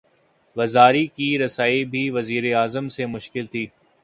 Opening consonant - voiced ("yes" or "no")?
yes